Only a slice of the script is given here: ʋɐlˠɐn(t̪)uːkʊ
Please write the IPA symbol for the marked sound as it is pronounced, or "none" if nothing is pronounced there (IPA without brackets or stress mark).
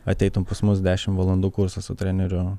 d̪